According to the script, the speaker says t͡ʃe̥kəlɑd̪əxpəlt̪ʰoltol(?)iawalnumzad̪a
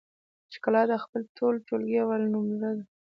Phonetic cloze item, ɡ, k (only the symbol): ɡ